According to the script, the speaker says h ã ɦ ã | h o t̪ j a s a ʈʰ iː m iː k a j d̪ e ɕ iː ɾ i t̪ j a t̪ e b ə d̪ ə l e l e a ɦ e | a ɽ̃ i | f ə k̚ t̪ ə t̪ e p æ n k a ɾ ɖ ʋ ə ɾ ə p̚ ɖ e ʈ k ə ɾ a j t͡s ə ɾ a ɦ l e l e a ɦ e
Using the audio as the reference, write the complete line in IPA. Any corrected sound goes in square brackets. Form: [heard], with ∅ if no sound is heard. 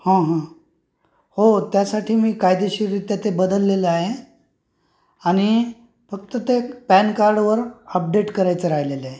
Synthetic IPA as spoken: h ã ɦ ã | h o t̪ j a s a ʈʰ iː m iː k a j d̪ e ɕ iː ɾ i t̪ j a t̪ e b ə d̪ ə [lː] e l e a ɦ e | a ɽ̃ i | f ə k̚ t̪ ə t̪ e p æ n k a ɾ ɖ ʋ ə ɾ ə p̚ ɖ e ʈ k ə ɾ a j t͡s ə ɾ a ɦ l e l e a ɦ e